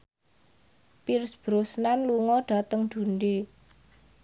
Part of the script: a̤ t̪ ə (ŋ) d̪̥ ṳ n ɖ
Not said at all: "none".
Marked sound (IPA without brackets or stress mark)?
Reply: ŋ